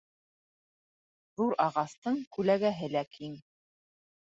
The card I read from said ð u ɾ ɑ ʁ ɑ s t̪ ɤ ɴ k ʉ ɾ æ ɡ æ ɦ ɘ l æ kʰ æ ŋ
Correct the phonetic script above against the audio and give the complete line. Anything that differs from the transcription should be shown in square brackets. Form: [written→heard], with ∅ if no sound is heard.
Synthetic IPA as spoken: ð u ɾ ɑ ʁ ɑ s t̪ ɤ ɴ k ʉ [ɾ→l] æ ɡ æ ɦ ɘ l æ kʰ [æ→i] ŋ